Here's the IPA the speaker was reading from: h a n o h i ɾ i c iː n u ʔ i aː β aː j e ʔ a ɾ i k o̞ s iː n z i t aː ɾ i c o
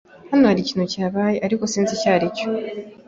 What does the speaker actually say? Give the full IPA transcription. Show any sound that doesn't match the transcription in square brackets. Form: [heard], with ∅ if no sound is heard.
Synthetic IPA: h a n o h [a] ɾ i c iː n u [c] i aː β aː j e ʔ a ɾ i k o̞ s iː n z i [c] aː ɾ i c o